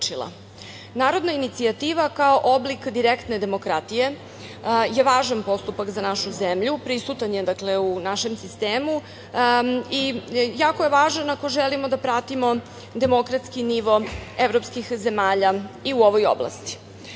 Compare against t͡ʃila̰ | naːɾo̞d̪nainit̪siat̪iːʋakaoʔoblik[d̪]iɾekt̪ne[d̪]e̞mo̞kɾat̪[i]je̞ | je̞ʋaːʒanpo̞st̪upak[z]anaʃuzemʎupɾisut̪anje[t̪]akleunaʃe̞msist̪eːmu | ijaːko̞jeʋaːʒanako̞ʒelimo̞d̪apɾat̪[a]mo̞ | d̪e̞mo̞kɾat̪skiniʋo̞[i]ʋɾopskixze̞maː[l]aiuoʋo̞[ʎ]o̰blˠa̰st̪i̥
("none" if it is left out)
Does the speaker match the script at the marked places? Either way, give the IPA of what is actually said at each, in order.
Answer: d̪, d̪, i, z, d̪, i, e, ʎ, j

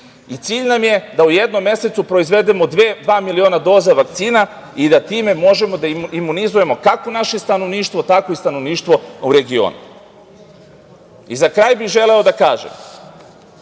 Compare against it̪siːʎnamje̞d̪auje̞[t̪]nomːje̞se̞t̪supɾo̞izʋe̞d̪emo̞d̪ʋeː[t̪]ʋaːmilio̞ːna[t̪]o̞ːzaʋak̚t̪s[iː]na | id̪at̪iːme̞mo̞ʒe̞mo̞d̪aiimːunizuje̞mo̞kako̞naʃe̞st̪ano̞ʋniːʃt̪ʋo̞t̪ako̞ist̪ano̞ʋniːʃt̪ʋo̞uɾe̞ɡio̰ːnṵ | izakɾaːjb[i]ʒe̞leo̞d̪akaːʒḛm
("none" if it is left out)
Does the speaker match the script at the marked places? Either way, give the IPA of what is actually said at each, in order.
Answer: d̪, d̪, d̪, iː, i

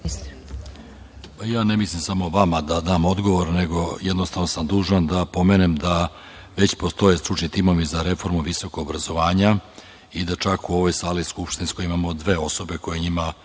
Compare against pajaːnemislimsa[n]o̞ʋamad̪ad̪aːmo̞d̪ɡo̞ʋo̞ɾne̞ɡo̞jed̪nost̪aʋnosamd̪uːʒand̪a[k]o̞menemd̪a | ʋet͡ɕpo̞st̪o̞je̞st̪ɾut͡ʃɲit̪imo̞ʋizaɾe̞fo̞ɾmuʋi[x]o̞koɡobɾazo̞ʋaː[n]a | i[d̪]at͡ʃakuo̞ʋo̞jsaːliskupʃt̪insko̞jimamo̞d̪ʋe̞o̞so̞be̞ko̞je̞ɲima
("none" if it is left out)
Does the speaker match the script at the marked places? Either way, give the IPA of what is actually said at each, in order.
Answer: m, p, s, ɲ, d̪

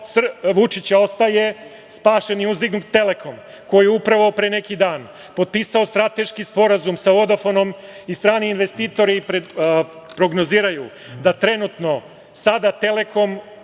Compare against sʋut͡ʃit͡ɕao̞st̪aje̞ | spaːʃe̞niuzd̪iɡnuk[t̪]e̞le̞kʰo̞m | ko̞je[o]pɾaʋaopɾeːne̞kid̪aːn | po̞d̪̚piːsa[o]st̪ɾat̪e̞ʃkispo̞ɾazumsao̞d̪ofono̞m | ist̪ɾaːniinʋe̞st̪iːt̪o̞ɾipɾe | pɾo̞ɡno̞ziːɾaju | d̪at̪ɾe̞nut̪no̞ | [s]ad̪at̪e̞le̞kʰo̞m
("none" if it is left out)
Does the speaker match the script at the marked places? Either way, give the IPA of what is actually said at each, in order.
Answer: t̪, u, o, s

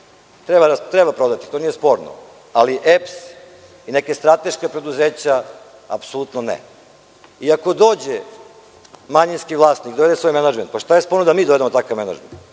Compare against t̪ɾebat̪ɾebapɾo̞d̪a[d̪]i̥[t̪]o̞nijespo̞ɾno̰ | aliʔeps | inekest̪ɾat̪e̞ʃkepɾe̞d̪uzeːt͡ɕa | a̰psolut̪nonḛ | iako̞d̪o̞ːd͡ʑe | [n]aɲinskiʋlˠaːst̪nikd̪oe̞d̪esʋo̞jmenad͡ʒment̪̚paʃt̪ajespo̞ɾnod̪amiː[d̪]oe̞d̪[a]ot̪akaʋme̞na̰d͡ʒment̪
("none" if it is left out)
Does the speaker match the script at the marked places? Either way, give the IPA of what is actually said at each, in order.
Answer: t̪, t̪, m, d̪, e

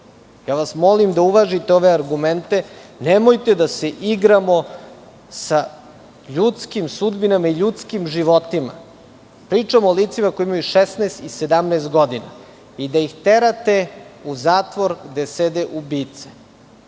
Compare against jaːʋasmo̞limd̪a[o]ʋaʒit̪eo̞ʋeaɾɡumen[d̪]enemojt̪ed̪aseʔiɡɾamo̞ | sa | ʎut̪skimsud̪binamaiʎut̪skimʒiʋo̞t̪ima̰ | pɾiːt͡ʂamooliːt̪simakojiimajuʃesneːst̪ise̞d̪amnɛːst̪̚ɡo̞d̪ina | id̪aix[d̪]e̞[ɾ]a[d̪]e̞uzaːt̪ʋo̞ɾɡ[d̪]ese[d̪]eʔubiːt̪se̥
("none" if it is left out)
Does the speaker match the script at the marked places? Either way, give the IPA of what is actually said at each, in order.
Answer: u, t̪, t̪, ɾ, t̪, d̪, d̪

